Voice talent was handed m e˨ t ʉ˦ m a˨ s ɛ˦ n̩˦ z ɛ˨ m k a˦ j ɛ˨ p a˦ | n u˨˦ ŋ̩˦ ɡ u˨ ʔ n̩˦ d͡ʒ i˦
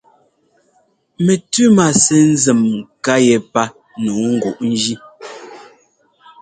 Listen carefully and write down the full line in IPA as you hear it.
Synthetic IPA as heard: m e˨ t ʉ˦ m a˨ s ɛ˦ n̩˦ z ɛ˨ m k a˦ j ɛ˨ p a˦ | n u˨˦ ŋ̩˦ ɡ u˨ ʔ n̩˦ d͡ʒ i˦